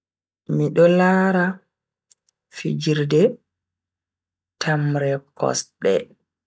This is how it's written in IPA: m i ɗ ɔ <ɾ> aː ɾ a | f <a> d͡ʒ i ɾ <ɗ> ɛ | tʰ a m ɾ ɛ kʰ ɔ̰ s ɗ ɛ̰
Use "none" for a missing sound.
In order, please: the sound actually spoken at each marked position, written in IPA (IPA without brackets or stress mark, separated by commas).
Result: l, i, d